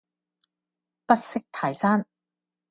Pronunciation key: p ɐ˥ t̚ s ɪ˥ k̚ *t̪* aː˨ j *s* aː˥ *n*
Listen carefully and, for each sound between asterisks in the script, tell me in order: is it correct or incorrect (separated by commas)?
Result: incorrect, correct, correct